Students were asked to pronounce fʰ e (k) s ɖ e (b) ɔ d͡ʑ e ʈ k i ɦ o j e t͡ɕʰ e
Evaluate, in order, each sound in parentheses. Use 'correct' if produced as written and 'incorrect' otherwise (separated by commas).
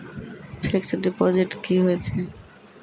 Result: correct, incorrect